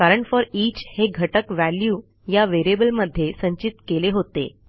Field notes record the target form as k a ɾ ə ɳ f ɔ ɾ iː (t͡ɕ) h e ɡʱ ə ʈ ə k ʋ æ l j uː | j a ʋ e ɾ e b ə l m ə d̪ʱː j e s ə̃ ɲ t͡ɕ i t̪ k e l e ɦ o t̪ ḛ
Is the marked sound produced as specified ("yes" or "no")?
yes